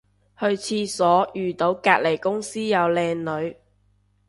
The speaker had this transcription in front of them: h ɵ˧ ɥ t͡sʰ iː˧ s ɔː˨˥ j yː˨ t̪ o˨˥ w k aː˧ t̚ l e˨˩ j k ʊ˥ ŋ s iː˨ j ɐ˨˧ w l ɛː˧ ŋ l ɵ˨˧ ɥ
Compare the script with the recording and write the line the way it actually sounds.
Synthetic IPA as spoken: h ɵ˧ ɥ t͡sʰ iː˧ s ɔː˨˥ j yː˨ t̪ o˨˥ w k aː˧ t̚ l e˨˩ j k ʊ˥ ŋ s iː˥ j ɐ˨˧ w l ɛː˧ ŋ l ɵ˨˧ ɥ

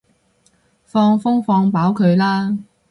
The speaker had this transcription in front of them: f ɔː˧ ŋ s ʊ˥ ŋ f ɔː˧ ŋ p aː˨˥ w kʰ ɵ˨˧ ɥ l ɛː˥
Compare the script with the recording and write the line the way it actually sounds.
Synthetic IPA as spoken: f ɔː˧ ŋ f ʊ˥ ŋ f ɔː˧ ŋ p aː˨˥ w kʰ ɵ˨˧ ɥ l aː˥

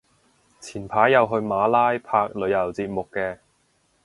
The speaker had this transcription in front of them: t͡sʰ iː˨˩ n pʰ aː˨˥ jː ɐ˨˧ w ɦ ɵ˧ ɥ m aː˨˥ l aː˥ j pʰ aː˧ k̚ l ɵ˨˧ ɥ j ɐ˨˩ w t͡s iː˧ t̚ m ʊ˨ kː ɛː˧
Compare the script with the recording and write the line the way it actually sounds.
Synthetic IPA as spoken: t͡sʰ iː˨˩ n pʰ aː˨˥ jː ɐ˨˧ w ɦ ɵ˧ ɥ m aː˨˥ l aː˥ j pʰ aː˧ k̚ l ɵ˨˧ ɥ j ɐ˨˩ w t͡s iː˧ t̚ m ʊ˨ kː ɛː˧

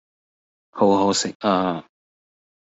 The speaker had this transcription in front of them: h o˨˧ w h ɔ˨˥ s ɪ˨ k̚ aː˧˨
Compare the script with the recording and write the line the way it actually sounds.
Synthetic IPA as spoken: h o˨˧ w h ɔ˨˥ s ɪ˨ k̚ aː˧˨

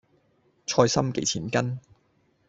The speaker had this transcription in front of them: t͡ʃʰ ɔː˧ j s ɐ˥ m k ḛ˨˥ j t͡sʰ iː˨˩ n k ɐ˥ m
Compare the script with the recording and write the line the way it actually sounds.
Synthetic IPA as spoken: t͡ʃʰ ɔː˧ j s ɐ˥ m k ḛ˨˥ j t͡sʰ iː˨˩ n k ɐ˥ n

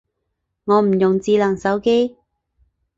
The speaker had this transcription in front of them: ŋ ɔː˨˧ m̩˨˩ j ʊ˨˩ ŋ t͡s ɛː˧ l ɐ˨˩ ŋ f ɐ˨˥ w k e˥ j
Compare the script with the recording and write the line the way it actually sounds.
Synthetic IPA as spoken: ŋ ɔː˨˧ m̩˨˩ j ʊ˨˩ ŋ t͡s iː˧ l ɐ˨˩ ŋ s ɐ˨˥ w k e˥ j

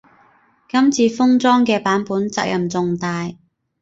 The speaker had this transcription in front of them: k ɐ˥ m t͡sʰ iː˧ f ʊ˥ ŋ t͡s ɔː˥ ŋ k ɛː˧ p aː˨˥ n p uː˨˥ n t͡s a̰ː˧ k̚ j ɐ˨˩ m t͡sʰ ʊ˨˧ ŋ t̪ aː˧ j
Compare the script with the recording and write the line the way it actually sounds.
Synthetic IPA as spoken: k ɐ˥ m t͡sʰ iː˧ f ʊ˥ ŋ t͡s ɔː˥ ŋ k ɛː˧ p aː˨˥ n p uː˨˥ n t͡s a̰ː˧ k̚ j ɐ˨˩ m t͡s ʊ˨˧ ŋ t̪ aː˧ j

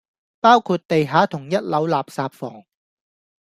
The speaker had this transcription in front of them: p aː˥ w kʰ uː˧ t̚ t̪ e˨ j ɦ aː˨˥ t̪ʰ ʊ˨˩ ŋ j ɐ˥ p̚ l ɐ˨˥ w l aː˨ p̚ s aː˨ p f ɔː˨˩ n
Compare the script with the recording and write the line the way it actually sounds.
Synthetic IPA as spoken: p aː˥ w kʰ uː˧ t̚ t̪ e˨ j ɦ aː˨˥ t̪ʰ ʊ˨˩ ŋ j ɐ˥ t̚ l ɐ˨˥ w l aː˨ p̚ s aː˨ p f ɔː˨˩ ŋ

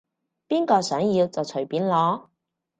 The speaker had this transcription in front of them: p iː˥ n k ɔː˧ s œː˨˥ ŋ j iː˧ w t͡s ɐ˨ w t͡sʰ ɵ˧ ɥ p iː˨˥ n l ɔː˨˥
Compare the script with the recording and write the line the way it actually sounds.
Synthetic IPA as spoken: p iː˥ n k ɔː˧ s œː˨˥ ŋ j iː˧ w t͡s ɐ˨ w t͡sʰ ɵ˨˩ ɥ p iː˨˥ n l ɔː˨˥

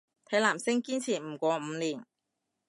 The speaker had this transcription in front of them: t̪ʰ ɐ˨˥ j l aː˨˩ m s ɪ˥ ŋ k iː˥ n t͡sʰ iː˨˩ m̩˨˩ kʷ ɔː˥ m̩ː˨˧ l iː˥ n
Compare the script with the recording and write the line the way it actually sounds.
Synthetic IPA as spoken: t̪ʰ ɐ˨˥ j l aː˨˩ m s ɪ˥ ŋ k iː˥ n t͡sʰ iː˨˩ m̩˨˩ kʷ ɔː˨˧ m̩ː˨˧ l iː˨˩ n

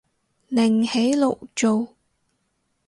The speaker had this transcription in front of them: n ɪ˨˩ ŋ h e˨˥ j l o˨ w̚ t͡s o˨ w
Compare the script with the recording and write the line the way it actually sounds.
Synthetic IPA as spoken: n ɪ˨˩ ŋ h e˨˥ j l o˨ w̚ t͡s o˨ w

